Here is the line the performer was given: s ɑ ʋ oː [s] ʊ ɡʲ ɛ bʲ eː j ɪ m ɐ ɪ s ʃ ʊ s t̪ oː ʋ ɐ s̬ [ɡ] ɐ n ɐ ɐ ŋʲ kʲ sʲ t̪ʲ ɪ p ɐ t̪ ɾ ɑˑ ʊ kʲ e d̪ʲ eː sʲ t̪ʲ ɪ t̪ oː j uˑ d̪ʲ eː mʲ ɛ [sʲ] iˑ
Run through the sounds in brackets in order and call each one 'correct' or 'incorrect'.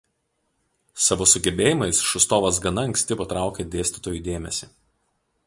correct, correct, correct

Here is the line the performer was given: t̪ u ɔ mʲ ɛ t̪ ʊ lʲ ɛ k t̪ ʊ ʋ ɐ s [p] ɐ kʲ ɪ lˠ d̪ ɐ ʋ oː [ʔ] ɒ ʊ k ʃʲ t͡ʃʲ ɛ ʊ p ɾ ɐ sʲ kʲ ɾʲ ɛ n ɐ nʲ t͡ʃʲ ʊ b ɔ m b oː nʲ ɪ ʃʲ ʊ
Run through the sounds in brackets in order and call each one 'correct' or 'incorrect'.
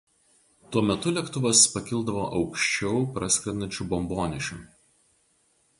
correct, correct

